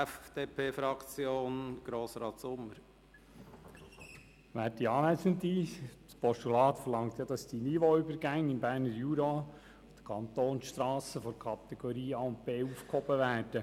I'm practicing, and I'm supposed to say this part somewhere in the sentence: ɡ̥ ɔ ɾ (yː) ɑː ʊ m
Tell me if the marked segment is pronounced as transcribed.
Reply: no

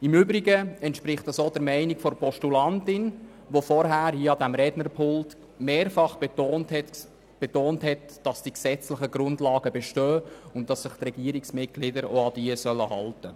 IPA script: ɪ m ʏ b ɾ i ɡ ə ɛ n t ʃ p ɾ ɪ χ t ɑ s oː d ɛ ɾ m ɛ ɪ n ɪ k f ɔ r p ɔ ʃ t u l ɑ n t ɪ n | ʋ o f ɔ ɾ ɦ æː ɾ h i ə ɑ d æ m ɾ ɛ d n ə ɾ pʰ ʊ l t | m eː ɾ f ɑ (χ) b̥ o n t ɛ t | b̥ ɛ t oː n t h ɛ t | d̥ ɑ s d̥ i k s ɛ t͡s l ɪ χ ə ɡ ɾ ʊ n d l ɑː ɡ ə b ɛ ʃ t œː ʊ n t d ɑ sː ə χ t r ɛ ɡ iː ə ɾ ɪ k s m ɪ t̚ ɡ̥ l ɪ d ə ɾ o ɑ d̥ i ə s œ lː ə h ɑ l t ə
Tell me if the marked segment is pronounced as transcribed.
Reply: yes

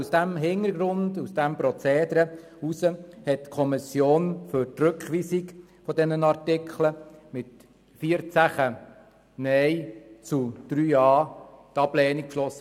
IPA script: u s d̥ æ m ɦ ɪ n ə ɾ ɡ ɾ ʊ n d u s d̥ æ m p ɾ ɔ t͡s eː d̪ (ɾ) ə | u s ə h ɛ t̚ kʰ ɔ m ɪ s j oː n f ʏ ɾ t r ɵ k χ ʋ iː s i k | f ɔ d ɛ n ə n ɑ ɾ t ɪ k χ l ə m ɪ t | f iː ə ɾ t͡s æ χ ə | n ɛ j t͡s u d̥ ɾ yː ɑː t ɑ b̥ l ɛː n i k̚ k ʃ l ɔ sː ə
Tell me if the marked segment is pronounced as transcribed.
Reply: yes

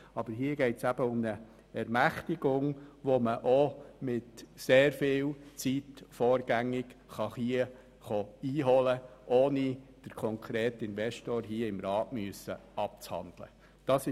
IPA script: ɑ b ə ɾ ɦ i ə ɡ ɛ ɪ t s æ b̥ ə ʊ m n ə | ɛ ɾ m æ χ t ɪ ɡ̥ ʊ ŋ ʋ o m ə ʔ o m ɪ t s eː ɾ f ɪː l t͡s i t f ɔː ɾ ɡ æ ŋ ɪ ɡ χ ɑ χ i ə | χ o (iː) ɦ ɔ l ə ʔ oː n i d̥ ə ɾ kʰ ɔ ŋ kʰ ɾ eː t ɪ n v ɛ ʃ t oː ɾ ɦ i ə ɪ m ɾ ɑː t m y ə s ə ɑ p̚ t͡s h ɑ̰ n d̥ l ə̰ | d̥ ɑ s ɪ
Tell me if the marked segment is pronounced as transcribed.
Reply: yes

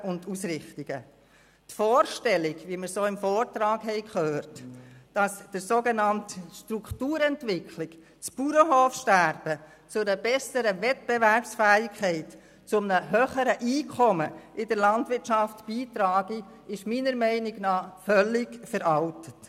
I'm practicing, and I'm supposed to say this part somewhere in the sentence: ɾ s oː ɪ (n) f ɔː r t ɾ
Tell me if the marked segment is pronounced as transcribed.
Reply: no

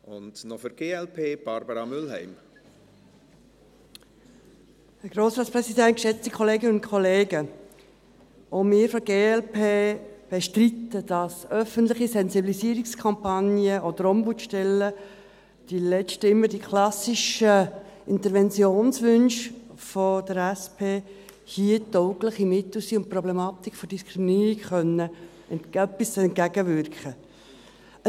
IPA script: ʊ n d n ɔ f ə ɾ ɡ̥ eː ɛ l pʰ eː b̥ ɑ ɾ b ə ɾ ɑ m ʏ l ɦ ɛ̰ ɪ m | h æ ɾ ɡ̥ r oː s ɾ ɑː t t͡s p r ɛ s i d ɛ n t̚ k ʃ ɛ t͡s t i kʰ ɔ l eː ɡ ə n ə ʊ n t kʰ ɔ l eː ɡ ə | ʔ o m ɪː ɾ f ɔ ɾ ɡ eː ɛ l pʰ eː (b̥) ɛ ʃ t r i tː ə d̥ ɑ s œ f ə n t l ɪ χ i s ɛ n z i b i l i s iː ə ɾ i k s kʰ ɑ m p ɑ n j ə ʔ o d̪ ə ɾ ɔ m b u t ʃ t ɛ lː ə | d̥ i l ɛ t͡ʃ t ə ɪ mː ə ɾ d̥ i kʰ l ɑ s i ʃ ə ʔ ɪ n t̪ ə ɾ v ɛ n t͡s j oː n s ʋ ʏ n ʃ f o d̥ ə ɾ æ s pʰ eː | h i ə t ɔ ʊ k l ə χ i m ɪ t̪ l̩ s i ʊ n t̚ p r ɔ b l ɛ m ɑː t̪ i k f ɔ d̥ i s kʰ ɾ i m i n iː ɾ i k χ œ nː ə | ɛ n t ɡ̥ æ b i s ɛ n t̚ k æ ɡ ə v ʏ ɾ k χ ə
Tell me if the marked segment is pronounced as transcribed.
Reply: yes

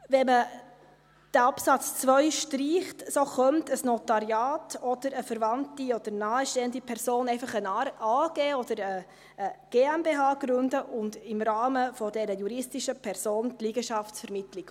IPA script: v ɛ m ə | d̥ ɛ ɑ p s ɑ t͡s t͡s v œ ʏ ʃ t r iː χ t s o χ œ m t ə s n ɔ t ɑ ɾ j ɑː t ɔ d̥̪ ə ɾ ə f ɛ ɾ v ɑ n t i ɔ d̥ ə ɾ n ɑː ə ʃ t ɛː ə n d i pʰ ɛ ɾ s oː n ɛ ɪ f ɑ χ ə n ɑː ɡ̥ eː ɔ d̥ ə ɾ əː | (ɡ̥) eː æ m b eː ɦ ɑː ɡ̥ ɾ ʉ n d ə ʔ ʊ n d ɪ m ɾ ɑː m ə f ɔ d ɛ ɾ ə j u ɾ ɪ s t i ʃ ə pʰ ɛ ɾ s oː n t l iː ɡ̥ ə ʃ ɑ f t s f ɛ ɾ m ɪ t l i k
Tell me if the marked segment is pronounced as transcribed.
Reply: yes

